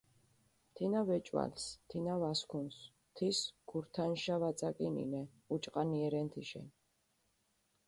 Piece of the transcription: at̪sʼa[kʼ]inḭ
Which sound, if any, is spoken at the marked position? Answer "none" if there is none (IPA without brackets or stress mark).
kʼ